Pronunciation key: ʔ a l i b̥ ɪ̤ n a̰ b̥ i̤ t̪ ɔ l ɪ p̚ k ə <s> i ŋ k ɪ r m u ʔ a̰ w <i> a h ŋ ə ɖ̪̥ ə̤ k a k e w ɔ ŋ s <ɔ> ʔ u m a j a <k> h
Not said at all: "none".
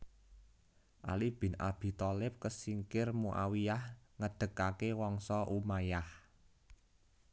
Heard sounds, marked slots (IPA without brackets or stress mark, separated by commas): s, i, ɔ, none